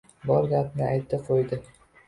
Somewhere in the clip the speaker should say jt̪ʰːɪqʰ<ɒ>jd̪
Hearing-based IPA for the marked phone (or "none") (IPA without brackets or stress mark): o